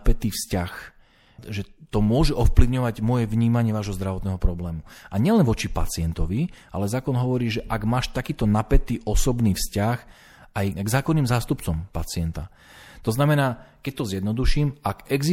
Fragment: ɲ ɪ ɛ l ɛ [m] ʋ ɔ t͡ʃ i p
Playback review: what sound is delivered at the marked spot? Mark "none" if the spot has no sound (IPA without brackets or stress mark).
n